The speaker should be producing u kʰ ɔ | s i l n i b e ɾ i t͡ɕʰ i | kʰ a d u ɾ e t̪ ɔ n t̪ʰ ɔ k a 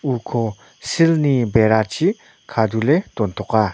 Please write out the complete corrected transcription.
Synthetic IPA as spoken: u kʰ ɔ | s i l n i b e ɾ a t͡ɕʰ i | kʰ a d u l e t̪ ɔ n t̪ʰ ɔ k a